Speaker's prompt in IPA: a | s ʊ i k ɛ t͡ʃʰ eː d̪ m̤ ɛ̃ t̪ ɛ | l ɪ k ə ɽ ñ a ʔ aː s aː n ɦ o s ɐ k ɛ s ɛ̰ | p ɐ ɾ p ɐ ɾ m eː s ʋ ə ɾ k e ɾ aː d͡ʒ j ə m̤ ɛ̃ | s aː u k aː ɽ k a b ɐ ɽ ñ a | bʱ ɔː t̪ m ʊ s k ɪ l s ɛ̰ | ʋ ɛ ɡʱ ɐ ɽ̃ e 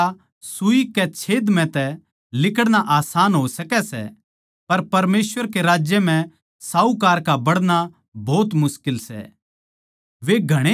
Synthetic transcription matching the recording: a | s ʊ i k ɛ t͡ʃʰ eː d̪ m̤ ɛ̃ t̪ ɛ | l ɪ k ə ɽ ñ a ʔ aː s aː n ɦ o s ɐ k ɛ s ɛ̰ | p ɐ ɾ p ɐ ɾ m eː s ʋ ə ɾ k e ɾ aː d͡ʒ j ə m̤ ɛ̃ | s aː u k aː ɾ k a b ɐ ɽ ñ a | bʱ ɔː t̪ m ʊ s k ɪ l s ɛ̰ | ʋ e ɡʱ ɐ ɽ̃ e

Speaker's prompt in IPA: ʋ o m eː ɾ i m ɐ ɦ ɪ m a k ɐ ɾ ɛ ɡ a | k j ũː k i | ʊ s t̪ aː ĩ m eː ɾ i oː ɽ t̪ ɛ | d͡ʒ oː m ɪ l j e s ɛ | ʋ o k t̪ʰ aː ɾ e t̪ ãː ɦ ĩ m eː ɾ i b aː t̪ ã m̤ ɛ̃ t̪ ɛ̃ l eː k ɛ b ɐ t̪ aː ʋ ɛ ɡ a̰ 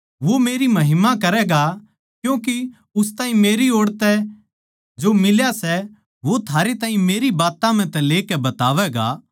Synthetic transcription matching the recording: ʋ o m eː ɾ i m ɐ ɦ ɪ m a k ɐ ɾ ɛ ɡ a | k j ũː k i | ʊ s t̪ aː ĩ m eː ɾ i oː ɽ t̪ ɛ | d͡ʒ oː m ɪ l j a s ɛ | ʋ o t̪ʰ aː ɾ e t̪ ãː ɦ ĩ m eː ɾ i b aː t̪ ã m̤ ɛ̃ t̪ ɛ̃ l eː k ɛ b ɐ t̪ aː ʋ ɛ ɡ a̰

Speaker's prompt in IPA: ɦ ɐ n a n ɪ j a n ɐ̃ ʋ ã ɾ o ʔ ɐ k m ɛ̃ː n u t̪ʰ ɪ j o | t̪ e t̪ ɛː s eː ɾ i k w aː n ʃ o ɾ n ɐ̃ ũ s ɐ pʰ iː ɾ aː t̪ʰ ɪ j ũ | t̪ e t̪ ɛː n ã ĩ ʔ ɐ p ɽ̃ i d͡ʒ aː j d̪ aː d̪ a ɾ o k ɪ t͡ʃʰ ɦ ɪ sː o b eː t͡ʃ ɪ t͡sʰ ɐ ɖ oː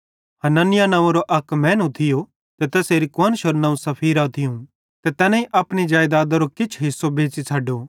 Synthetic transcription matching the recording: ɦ ɐ n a n ɪ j a n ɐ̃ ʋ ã ɾ o ʔ ɐ k m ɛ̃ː n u t̪ʰ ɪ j o | t̪ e t̪ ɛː s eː ɾ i k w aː n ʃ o ɾ n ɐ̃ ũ s ɐ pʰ iː ɾ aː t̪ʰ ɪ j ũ | t̪ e t̪ ɛː n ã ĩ ʔ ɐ p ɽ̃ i d͡ʒ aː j d̪ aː d̪ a ɾ o k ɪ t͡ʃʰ ɦ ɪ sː o b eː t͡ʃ i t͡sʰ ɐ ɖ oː

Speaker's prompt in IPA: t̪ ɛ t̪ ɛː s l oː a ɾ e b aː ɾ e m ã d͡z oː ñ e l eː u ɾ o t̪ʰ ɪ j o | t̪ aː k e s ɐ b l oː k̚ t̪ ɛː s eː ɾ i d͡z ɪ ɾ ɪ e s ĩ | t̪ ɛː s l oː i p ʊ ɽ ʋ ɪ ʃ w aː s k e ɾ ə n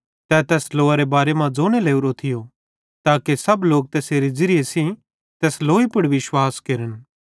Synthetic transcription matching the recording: t̪ ɛ t̪ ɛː s l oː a ɾ e b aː ɾ e m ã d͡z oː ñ e l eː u ɾ o t̪ʰ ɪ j o | t̪ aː k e s ɐ b l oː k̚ t̪ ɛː s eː ɾ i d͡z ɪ ɾ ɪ e s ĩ | t̪ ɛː s l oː i p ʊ ɽ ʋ ɪ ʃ w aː s k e ɾ ə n

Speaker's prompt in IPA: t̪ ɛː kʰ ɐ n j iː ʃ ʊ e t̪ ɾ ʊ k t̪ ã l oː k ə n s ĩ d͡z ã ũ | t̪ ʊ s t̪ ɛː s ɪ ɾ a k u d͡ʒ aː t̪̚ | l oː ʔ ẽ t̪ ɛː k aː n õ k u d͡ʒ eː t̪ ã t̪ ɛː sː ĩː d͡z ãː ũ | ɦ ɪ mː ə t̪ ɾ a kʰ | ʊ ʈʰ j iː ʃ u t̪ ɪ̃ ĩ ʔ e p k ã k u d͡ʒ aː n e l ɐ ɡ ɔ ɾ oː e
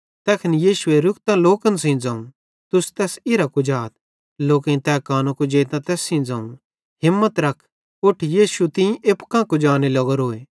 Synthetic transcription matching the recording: t̪ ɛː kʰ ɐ n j iː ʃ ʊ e ɾ ʊ k t̪ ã l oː k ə n s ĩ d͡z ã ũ | t̪ ʊ s t̪ ɛː s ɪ ɾ a k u d͡ʒ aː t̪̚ | l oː k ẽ t̪ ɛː k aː n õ k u d͡ʒ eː t̪ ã t̪ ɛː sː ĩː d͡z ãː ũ | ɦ ɪ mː ə t̪ ɾ ɐ kʰ | ʊ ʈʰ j iː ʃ u t̪ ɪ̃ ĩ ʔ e p k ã k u d͡ʒ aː n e l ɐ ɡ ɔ ɾ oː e

